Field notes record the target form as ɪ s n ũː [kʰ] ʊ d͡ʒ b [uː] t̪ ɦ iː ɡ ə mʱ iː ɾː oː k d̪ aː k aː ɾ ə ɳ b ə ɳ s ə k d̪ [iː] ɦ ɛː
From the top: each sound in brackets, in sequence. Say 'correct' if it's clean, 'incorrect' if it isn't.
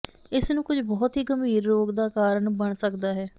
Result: incorrect: k, incorrect: ɔː, incorrect: aː

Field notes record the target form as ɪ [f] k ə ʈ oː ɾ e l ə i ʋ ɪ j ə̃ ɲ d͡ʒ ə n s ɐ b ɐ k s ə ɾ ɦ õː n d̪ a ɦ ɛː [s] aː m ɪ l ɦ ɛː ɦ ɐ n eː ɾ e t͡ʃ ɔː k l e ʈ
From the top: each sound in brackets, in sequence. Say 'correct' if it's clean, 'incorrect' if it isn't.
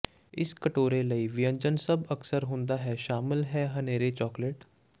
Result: incorrect: s, incorrect: ʃ

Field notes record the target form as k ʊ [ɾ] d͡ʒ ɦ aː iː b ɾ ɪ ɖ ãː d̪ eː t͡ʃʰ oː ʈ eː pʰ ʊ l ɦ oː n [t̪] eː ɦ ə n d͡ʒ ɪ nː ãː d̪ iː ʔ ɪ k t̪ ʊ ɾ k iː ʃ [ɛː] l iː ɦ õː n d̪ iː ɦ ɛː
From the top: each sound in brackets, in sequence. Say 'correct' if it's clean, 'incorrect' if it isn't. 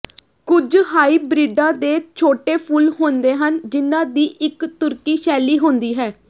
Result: incorrect: none, incorrect: d̪, correct

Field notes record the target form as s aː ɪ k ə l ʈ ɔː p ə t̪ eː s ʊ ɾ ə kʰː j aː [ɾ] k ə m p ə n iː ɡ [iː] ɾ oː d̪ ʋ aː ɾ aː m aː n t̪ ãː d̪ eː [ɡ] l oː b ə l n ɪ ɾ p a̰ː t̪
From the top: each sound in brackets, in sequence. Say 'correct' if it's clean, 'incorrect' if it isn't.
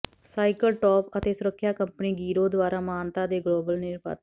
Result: incorrect: none, correct, correct

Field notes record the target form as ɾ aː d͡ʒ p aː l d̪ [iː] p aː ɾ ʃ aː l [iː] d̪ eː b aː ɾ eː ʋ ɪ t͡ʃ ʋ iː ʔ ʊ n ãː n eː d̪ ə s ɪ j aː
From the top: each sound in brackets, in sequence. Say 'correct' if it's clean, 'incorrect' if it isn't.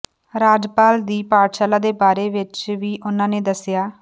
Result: correct, incorrect: aː

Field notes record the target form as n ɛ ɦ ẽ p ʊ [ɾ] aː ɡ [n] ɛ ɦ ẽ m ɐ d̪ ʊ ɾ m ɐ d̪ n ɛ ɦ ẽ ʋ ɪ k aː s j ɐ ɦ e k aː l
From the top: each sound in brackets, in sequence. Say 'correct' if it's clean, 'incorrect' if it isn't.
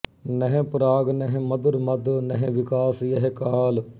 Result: correct, correct

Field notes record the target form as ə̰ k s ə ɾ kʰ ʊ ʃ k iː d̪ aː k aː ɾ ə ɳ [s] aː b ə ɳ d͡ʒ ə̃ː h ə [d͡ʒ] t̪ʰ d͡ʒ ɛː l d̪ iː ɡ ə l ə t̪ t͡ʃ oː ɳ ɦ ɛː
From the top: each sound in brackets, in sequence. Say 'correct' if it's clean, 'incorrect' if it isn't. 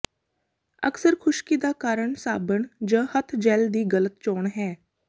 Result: correct, incorrect: none

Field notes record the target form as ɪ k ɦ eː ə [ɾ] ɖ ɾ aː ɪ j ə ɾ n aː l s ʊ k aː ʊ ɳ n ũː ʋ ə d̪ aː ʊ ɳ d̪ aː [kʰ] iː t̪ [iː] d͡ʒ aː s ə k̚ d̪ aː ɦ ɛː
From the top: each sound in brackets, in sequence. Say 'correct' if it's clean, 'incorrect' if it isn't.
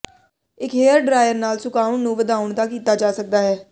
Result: correct, incorrect: k, incorrect: aː

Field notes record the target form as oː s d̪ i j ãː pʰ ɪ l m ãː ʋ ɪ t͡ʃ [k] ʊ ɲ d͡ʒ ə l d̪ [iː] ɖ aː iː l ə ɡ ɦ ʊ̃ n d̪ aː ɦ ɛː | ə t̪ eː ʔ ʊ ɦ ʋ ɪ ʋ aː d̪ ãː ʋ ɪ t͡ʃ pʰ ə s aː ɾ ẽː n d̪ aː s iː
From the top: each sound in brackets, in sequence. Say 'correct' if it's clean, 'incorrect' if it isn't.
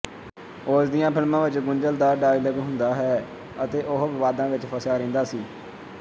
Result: incorrect: ɡ, incorrect: aː

